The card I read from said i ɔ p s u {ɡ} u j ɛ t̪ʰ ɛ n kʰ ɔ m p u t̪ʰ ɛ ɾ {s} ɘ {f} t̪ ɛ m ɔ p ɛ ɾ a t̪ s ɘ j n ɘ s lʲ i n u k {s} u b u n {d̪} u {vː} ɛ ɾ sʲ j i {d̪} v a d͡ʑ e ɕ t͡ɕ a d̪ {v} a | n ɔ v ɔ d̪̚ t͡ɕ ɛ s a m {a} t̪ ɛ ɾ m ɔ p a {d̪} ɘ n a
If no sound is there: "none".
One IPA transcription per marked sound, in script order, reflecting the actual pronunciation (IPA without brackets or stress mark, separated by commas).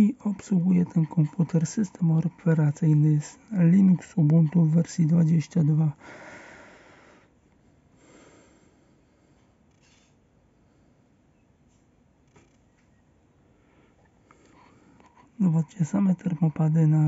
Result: ɡ, s, s, s, t̪, vː, d̪, v, ɛ, d̪